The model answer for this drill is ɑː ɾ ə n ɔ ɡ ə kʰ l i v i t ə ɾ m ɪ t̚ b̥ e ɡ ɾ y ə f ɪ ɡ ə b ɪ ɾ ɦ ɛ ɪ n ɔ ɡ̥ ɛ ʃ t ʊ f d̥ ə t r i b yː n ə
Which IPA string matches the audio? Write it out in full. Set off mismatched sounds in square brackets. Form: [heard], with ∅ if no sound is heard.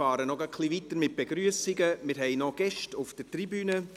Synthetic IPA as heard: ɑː ɾ ə n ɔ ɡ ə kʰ l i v i t ə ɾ m ɪ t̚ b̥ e ɡ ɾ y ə [s] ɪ ɡ ə [m] ɪ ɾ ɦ ɛ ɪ n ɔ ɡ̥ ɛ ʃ t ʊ f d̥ ə t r i b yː n ə